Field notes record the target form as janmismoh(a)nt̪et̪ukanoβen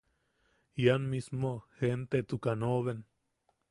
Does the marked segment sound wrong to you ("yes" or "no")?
yes